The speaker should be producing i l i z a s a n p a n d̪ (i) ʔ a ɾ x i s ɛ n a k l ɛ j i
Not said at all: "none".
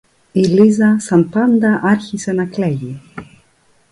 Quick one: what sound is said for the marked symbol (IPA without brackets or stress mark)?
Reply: a